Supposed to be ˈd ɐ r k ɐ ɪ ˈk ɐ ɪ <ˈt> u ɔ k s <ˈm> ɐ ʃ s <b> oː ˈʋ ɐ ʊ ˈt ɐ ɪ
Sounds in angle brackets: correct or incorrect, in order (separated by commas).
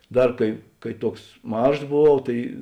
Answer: correct, correct, correct